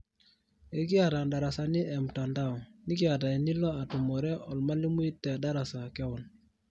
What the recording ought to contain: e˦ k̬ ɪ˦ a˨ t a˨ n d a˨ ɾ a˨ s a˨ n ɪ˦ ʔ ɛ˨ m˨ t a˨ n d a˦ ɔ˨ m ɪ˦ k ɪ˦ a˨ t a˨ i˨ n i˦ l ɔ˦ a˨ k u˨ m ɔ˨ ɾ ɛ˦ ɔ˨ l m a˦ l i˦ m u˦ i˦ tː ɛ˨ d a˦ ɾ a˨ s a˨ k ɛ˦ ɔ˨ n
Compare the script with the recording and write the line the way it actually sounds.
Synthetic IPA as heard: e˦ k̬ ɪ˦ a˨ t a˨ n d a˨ ɾ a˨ s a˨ n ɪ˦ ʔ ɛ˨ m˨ t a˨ n d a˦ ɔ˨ n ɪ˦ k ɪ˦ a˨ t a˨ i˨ n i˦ l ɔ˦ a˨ t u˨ m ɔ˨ ɾ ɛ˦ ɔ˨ l m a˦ l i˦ m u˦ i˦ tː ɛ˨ d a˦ ɾ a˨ s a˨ k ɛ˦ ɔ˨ n